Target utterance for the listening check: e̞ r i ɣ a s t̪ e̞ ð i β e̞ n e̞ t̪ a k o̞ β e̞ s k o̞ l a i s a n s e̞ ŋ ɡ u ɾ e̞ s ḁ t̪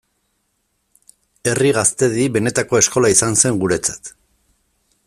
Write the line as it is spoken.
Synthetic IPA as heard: e̞ r i ɣ a s t̪ e̞ ð i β e̞ n e̞ t̪ a k o̞ e̞ s k o̞ l a i s a n s e̞ ŋ ɡ u ɾ e̞ t͡s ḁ t̪